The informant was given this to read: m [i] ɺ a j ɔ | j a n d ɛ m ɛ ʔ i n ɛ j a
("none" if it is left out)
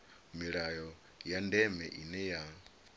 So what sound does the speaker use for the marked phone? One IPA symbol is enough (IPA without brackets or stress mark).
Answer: i